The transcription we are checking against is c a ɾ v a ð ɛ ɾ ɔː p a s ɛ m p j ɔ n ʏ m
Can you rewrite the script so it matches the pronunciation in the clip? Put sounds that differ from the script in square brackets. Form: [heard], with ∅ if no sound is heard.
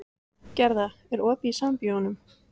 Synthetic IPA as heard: c [ɛ] ɾ [ð] a [∅] ɛ ɾ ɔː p [i] s [a] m p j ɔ n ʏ m